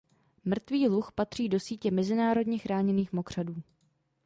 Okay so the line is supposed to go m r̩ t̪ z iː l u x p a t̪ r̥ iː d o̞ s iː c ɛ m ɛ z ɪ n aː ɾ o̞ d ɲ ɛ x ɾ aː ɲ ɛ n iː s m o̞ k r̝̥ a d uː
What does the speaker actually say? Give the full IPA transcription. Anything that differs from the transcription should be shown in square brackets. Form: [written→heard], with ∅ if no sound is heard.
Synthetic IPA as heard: m r̩ t̪ [z→v] iː l u x p a t̪ r̥ iː d o̞ s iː c ɛ m ɛ z ɪ n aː ɾ o̞ d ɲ ɛ x ɾ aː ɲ ɛ n iː [s→x] m o̞ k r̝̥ a d uː